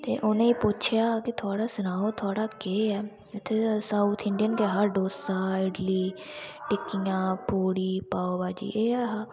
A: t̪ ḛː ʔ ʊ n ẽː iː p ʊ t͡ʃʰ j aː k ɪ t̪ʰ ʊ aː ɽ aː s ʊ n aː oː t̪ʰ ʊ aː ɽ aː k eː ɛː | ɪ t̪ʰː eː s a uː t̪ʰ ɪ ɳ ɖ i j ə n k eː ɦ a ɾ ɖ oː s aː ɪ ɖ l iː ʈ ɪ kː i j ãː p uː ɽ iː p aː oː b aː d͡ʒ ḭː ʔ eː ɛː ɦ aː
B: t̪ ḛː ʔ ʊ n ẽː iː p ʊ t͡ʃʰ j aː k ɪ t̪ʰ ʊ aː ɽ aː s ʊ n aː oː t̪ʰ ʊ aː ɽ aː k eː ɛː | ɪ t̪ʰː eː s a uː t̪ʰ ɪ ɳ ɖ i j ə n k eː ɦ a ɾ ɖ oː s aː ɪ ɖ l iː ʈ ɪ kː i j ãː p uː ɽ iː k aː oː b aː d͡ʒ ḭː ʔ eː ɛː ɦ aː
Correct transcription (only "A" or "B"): A